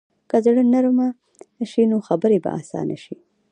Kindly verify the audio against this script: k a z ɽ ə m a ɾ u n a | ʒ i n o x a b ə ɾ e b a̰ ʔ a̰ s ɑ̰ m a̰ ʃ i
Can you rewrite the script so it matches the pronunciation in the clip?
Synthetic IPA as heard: k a z ɽ ə n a ɾ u m a | ʃ i n o x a b ə ɾ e b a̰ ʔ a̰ s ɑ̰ n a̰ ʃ i

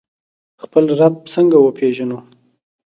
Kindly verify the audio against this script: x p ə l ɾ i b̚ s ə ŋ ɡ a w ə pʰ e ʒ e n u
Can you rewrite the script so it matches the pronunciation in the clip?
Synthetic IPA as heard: x p ə l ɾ a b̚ s ə ŋ ɡ a w ə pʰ e ʒ a n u

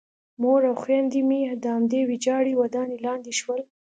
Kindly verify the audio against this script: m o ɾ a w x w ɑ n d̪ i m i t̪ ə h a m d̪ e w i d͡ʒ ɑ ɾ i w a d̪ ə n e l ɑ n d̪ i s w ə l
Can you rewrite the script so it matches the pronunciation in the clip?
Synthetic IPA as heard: m o ɾ a w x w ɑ n d̪ i m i d̪ ə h a m d̪ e w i d͡ʒ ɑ ɽ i w a d̪ ɑ n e l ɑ n d̪ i ʃ w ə l

